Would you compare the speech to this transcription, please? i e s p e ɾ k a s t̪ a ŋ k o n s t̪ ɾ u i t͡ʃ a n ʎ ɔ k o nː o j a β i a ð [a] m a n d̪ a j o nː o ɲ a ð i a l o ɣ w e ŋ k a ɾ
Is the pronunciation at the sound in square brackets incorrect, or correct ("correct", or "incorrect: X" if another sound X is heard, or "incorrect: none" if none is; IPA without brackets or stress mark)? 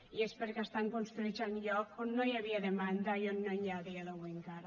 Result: incorrect: e